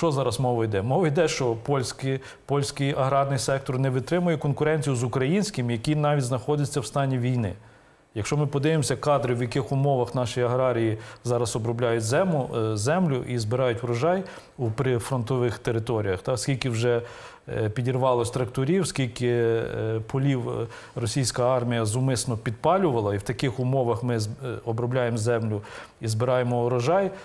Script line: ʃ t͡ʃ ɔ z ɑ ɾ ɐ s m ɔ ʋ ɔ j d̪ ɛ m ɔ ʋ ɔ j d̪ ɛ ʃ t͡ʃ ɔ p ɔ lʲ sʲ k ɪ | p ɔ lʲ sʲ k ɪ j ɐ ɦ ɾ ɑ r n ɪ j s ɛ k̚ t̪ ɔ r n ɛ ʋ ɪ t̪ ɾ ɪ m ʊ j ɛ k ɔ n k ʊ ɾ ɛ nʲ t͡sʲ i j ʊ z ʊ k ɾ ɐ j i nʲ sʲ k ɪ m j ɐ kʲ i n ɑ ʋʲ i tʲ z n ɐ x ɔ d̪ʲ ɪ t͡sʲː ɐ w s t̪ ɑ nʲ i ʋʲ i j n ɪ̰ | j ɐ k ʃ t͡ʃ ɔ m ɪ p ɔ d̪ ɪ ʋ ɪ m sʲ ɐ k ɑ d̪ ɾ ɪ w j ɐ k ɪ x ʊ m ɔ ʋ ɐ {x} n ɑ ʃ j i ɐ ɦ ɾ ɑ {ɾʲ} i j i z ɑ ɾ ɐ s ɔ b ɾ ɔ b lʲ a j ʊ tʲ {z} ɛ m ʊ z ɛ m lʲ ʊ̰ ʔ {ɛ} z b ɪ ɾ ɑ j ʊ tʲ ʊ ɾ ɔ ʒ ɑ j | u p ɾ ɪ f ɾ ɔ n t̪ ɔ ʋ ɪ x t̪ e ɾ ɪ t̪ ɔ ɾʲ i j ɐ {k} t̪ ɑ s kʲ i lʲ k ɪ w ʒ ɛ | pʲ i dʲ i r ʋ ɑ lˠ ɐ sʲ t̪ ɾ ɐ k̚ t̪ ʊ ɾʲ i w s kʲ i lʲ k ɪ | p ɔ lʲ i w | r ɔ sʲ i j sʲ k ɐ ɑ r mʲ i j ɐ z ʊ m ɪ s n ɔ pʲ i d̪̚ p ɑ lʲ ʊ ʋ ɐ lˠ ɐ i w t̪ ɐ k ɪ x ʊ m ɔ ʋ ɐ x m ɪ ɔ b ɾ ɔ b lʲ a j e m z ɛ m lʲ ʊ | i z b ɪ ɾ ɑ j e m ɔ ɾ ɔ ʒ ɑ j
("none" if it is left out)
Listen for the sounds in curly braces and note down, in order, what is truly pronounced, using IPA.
x, ɾʲ, z, i, x

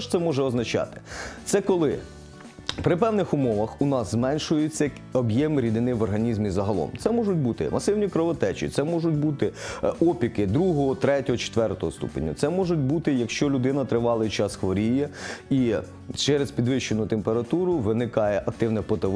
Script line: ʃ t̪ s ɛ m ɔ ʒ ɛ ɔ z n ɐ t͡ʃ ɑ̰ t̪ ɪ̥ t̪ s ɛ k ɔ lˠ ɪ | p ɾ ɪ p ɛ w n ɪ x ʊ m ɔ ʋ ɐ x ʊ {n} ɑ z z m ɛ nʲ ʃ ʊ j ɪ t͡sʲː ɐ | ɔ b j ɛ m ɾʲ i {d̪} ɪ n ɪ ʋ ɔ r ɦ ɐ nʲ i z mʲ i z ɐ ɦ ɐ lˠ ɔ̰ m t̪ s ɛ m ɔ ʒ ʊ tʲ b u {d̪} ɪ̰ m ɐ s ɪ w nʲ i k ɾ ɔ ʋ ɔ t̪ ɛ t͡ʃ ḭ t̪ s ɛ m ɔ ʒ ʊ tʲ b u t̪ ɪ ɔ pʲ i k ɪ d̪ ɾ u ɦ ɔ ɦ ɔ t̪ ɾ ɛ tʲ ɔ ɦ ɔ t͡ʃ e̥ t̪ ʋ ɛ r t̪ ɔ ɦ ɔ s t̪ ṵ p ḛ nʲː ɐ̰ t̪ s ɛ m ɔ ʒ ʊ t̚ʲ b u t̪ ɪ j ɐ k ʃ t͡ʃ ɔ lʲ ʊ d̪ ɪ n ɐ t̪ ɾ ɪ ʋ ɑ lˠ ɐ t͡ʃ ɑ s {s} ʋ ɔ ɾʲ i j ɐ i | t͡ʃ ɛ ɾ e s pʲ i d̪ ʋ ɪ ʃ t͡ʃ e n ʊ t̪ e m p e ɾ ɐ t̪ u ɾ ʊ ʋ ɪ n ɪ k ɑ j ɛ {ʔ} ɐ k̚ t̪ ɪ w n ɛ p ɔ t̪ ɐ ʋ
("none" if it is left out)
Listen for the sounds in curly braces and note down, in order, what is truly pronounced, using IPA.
n, d̪, t̪, x, ʔ

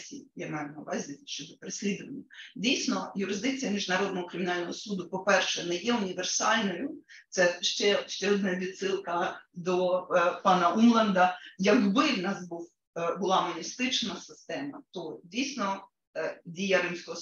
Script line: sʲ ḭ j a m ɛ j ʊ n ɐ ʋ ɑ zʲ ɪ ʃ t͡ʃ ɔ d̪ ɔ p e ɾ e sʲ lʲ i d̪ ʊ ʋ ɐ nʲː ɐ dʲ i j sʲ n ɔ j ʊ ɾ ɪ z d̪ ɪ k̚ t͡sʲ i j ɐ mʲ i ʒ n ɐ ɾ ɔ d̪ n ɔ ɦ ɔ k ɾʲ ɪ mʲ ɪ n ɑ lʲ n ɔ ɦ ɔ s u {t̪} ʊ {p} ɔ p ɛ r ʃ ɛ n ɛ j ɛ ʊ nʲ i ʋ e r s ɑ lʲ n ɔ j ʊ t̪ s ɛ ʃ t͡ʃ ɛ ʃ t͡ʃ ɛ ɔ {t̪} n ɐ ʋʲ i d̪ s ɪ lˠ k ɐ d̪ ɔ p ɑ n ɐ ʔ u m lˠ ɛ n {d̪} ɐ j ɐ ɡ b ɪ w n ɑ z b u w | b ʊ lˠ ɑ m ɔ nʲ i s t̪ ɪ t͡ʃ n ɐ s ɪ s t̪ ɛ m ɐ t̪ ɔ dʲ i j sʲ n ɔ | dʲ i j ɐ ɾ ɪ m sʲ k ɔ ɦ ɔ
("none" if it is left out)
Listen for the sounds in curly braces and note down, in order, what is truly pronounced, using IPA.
d̪, p, d̪, d̪

